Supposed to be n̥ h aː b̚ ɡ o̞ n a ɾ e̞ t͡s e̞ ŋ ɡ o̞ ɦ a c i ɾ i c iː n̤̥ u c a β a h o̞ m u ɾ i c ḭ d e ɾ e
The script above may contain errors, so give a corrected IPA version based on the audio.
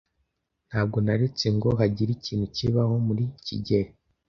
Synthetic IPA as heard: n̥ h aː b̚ ɡ o̞ n a ɾ e̞ t͡s e̞ ŋ ɡ o̞ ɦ a ɟ i ɾ i c iː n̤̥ u c i β a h o̞ m u ɾ i c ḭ ɟ e ɾ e